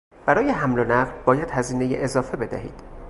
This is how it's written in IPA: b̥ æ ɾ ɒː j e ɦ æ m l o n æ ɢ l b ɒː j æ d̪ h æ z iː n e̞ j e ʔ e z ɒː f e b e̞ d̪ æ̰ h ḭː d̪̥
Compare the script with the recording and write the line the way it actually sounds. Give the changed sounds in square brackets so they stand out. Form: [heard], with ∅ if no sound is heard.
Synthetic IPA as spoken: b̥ æ ɾ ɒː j e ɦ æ m l o n æ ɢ l b ɒː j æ d̪ h æ z iː n e̞ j e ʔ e z ɒː f e b e̞ d̪ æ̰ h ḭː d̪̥